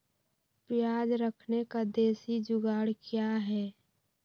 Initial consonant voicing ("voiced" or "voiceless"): voiceless